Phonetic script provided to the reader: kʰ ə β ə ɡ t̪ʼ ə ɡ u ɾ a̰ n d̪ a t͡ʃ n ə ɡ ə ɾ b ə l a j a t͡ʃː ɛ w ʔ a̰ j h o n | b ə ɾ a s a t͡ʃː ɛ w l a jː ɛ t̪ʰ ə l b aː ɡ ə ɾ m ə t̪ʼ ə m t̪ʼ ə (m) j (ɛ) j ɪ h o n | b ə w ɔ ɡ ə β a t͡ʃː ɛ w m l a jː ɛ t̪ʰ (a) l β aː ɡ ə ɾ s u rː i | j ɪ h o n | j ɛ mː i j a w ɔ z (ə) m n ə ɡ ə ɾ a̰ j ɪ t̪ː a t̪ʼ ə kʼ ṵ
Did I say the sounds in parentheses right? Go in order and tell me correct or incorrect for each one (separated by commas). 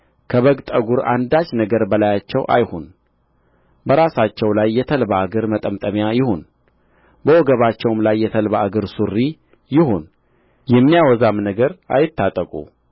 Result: correct, incorrect, incorrect, incorrect